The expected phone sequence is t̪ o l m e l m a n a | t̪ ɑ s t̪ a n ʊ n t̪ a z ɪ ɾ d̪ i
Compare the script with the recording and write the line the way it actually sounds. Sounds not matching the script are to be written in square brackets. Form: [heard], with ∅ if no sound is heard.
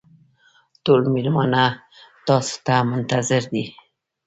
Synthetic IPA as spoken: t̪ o l m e l m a n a | t̪ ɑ s t̪ a [m] ʊ n t̪ a z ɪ ɾ d̪ i